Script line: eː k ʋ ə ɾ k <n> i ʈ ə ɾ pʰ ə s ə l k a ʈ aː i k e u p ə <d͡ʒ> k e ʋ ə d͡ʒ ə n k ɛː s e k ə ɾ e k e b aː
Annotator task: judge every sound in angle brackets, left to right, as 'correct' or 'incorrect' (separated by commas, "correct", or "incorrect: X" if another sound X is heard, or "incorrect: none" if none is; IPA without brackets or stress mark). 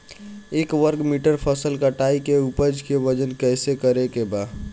incorrect: m, correct